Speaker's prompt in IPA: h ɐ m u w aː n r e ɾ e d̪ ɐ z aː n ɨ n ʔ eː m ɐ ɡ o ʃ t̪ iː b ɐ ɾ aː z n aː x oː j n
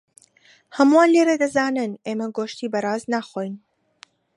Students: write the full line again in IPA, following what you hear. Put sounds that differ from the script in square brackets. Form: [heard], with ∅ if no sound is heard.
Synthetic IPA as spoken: h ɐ m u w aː n [l] e ɾ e d̪ ɐ z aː n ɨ n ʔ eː m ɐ ɡ o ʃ t̪ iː b ɐ ɾ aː z n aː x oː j n